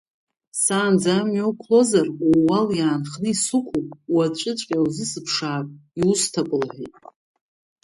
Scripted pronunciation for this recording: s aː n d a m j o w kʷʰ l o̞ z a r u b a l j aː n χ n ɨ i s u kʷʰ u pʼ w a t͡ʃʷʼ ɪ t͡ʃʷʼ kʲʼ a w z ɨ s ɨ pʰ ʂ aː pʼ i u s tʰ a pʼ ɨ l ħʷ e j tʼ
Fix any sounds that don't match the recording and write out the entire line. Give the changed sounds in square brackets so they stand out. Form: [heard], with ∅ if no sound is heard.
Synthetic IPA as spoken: s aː n [d͡z] a m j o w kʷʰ l o̞ z a r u [w] a l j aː n χ n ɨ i s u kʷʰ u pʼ w a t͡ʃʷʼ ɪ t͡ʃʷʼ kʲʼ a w z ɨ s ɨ pʰ ʂ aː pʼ i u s tʰ a pʼ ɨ l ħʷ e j tʼ